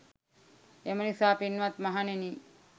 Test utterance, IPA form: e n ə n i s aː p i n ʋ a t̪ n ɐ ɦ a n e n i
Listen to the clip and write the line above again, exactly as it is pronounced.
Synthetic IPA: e m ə n i s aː p i n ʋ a t̪ m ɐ ɦ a n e n i

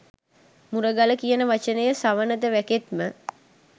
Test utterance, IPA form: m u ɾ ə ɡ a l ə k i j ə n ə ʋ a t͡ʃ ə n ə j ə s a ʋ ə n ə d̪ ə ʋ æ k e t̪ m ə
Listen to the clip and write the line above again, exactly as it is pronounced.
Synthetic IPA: m u ɾ ə ɡ a l ə k i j ə n ə ʋ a t͡ʃ ə n ə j ə s a ʋ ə n ə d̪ ə ʋ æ k e t̪ m ə

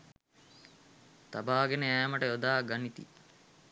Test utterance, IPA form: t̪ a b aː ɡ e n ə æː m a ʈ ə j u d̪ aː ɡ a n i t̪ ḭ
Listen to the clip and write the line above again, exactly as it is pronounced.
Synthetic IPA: t̪ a b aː ɡ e n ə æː m ə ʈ ə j o d̪ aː ɡ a n i t̪ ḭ

